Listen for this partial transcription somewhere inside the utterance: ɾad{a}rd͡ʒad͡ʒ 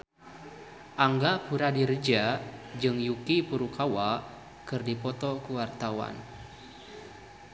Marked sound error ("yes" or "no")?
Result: yes